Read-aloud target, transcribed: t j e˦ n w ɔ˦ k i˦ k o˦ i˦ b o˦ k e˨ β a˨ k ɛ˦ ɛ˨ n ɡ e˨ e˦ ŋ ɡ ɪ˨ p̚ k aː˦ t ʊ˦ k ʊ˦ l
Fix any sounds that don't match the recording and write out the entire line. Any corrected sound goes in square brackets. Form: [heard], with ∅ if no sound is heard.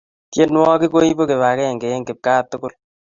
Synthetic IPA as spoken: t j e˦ n w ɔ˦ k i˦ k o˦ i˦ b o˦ k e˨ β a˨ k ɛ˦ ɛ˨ [ŋ] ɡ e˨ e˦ ŋ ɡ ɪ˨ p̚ k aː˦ t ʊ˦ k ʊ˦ l